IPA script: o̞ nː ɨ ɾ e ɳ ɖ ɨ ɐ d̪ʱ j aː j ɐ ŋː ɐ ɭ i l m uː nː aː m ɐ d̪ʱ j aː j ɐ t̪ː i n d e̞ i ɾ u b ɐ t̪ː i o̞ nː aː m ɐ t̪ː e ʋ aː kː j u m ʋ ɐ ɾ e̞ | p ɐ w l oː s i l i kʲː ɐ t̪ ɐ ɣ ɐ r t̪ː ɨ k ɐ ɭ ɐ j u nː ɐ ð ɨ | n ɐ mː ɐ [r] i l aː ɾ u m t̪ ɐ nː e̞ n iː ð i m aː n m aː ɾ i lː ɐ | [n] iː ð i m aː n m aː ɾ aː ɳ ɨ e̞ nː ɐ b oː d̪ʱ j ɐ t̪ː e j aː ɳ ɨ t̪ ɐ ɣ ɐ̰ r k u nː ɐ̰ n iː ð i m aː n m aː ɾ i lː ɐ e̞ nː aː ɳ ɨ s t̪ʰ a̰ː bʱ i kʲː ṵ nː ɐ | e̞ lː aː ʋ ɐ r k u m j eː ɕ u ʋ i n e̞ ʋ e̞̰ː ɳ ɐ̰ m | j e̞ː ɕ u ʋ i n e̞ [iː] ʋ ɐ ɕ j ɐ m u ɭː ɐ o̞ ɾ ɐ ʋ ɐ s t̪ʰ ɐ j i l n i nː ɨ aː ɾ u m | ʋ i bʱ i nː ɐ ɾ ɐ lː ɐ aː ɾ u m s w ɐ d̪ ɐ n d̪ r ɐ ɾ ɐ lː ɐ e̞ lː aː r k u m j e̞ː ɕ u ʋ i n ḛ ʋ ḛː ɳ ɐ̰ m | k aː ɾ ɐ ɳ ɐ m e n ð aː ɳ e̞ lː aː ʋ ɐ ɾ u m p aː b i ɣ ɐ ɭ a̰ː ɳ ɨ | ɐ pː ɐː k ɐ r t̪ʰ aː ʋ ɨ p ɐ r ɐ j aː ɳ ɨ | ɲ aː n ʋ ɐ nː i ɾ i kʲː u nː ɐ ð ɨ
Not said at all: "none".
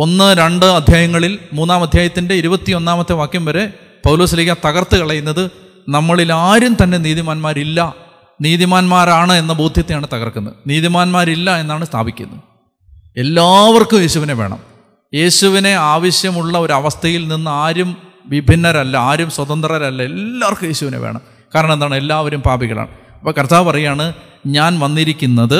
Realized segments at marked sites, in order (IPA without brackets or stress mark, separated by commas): ɭ, n, aː